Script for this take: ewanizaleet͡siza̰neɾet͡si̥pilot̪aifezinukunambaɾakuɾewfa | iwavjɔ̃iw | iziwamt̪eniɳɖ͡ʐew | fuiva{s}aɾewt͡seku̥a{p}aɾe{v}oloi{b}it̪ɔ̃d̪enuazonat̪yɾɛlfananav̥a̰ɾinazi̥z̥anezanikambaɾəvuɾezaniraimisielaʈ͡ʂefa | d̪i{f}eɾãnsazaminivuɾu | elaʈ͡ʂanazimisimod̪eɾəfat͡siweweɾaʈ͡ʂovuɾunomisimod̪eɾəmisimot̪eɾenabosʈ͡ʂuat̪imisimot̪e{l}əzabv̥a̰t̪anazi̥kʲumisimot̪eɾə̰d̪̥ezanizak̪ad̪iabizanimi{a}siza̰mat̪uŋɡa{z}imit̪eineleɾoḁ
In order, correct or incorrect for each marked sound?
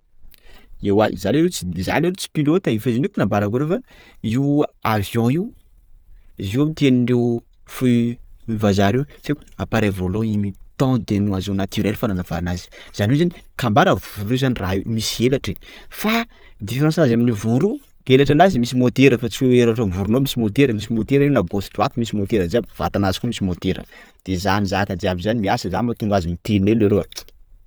incorrect, correct, correct, incorrect, correct, incorrect, correct, correct

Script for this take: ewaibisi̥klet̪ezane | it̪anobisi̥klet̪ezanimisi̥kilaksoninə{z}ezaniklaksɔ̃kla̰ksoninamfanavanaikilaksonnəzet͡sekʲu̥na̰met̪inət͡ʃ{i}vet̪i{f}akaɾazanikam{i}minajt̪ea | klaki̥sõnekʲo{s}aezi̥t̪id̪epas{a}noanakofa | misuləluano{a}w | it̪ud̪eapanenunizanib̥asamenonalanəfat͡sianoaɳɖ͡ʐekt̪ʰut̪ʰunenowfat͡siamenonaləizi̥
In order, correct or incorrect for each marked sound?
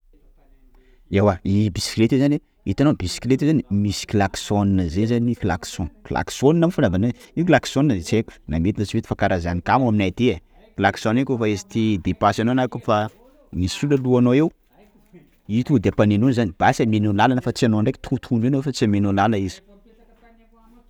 correct, correct, correct, incorrect, incorrect, correct, incorrect

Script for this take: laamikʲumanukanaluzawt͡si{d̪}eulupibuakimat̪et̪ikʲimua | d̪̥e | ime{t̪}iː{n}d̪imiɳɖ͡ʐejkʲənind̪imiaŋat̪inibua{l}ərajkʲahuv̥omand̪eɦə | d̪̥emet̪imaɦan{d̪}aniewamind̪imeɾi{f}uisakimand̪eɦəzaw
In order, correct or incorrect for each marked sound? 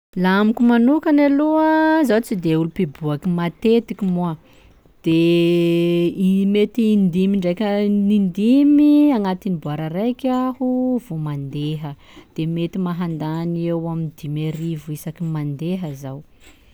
correct, correct, correct, incorrect, correct, incorrect

